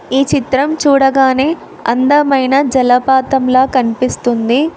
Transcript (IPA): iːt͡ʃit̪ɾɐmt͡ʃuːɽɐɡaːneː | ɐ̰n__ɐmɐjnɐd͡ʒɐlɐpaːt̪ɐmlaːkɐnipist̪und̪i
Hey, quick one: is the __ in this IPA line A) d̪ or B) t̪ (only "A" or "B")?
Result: A